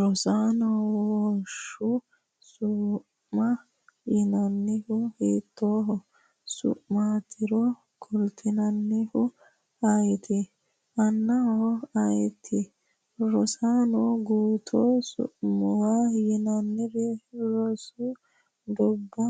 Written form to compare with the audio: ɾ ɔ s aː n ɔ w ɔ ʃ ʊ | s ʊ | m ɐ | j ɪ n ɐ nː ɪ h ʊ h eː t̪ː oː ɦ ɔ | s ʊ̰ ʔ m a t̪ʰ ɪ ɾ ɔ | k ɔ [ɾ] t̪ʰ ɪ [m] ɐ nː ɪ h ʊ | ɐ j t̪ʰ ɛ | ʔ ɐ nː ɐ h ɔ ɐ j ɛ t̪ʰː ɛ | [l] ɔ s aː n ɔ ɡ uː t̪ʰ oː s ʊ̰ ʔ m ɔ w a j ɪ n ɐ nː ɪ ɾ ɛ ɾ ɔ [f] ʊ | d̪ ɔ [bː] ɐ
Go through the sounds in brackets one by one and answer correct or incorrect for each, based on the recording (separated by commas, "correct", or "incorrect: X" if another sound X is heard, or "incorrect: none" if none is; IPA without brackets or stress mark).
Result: incorrect: l, incorrect: n, incorrect: ɾ, incorrect: s, correct